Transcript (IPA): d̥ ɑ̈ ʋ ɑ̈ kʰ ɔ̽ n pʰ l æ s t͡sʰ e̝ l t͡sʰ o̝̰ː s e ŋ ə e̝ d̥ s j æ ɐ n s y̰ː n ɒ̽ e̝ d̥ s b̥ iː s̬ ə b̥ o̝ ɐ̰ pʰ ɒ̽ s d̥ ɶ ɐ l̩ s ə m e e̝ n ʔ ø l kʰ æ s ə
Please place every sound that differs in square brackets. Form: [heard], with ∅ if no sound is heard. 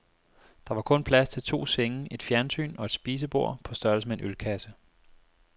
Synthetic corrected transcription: d̥ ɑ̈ ʋ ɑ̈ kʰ ɔ̽ n pʰ l æ s t͡sʰ e̝ l t͡sʰ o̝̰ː s e ŋ ə e̝ d̥ [f] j æ ɐ n s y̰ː n ɒ̽ e̝ d̥ s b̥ iː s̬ ə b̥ o̝ ɐ̰ pʰ ɒ̽ s d̥ ɶ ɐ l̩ s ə m e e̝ n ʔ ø l kʰ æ s ə